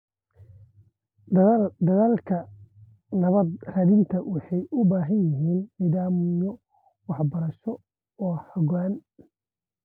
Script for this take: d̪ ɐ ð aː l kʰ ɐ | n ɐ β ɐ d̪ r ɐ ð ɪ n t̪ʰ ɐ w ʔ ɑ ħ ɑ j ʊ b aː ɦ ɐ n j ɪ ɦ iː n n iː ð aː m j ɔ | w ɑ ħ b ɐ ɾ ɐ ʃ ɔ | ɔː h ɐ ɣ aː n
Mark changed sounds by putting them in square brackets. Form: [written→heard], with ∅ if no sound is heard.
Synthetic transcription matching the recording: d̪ ɐ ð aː l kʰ ɐ | n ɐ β ɐ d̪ r ɐ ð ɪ n t̪ʰ ɐ w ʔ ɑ ħ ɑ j ʊ b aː ɦ ɐ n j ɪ ɦ iː n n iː ð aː m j ɔ | w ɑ ħ b ɐ ɾ ɐ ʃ ɔ | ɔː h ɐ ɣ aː n